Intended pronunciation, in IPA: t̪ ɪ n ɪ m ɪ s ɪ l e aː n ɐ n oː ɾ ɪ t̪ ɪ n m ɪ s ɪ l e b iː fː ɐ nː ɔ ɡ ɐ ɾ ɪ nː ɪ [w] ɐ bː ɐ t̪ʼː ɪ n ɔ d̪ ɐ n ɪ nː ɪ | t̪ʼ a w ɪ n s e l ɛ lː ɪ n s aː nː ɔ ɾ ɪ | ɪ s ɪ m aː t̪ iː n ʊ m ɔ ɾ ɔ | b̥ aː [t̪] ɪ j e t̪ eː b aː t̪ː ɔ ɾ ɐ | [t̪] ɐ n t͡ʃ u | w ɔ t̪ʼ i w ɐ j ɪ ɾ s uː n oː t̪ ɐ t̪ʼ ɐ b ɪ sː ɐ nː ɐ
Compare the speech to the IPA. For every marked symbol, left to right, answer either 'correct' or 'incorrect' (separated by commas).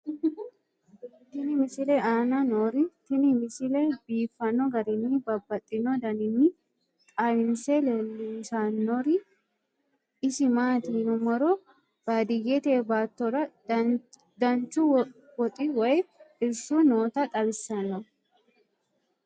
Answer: incorrect, incorrect, incorrect